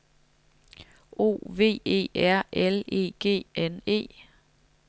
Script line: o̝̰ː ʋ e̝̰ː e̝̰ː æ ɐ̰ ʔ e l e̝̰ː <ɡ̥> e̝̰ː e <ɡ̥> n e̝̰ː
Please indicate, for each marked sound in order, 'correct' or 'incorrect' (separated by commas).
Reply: correct, incorrect